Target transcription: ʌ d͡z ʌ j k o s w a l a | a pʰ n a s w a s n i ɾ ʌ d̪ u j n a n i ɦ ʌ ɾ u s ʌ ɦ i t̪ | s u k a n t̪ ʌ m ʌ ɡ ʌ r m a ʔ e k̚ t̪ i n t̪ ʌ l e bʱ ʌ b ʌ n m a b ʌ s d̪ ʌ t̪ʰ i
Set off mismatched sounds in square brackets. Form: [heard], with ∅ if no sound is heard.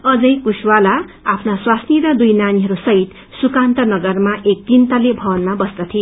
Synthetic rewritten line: ʌ d͡z ʌ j k [u] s w a l a | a pʰ n a s w a s n i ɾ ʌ d̪ u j n a n i ɦ ʌ ɾ u s ʌ ɦ i t̪ | s u k a n t̪ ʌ [n] ʌ ɡ ʌ r m a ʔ e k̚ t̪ i n t̪ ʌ l e bʱ ʌ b ʌ n m a b ʌ s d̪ ʌ t̪ʰ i